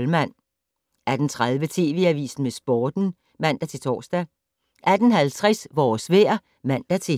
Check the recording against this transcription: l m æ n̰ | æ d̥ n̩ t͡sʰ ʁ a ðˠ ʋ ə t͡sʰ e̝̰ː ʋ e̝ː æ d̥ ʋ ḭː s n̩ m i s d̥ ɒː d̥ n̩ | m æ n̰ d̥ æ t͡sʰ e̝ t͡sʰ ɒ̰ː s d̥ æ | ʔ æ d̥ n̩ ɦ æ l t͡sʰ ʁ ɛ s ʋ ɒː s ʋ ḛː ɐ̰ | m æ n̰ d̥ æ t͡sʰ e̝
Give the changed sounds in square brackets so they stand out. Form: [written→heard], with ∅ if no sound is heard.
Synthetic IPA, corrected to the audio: l m æ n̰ | æ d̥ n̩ t͡sʰ ʁ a ðˠ ʋ ə t͡sʰ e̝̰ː ʋ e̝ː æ [d̥→∅] ʋ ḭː s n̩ m [i→e] s [d̥→b̥] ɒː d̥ n̩ | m æ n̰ d̥ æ t͡sʰ e̝ t͡sʰ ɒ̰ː s d̥ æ | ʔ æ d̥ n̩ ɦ æ l t͡sʰ ʁ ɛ s ʋ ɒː s ʋ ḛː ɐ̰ | m æ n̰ d̥ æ t͡sʰ e̝